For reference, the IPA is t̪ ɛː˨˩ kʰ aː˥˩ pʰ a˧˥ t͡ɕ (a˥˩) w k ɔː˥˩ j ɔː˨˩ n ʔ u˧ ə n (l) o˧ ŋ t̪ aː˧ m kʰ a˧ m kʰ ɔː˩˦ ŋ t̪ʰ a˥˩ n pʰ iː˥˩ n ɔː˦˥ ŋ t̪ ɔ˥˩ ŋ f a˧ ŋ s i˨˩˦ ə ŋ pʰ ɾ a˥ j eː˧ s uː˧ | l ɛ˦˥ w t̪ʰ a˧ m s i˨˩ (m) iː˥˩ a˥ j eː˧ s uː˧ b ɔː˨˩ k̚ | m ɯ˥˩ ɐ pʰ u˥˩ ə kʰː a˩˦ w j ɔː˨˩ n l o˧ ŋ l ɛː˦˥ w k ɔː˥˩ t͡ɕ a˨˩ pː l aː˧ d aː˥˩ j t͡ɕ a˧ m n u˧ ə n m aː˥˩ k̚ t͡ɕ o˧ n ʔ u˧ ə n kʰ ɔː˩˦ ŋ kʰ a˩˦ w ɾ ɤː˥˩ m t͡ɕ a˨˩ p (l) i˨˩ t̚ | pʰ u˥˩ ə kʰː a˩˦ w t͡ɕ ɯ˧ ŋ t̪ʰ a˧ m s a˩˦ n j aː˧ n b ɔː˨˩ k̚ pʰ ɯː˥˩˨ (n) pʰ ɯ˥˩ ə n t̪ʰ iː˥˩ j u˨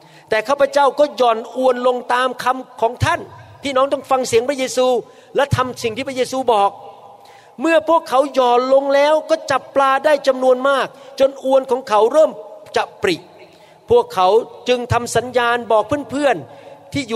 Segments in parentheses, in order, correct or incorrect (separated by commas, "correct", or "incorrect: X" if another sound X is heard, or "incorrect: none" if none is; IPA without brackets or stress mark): correct, correct, incorrect: ŋ, incorrect: ɾ, correct